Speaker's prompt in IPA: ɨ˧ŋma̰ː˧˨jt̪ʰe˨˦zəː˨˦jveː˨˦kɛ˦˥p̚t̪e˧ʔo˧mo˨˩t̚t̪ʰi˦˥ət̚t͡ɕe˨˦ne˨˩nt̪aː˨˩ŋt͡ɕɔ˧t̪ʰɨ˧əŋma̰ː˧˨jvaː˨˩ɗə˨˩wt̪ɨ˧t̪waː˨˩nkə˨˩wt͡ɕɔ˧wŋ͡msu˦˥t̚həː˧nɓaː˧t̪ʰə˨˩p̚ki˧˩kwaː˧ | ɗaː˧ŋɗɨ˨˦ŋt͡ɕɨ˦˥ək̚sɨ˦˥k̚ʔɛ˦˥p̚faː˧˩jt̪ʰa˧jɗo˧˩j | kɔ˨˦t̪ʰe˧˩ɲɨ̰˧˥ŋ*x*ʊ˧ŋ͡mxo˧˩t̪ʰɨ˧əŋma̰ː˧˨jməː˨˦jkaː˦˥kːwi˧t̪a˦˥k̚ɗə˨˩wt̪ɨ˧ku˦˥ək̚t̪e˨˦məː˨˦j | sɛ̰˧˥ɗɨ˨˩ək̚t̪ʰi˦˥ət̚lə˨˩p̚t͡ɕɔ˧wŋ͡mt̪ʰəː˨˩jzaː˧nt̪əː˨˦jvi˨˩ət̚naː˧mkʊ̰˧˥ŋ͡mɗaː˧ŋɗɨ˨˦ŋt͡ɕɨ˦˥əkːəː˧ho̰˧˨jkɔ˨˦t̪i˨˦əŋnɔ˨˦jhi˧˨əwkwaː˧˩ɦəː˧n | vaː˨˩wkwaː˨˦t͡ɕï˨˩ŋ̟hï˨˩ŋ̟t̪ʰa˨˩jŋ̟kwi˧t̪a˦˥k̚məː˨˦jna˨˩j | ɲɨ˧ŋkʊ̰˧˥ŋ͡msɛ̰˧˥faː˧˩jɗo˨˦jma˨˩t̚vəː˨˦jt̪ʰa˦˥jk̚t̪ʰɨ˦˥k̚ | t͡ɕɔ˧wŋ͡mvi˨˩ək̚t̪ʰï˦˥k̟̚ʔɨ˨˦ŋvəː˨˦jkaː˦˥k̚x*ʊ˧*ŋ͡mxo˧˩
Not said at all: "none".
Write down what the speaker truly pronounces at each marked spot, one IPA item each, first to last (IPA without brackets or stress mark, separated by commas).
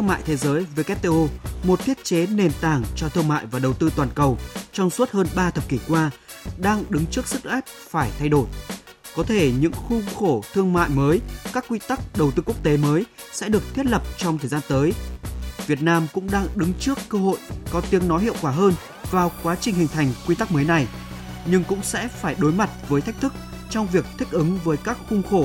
x, ʊ˧